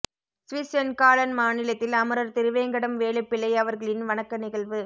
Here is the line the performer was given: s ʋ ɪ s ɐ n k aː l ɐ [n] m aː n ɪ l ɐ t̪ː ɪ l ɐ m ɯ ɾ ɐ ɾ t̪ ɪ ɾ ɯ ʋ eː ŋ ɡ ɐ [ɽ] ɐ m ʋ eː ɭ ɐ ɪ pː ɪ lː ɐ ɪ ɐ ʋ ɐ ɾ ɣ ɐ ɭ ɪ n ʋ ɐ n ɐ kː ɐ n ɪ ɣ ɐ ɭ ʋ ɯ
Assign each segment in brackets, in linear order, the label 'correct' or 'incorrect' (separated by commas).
correct, correct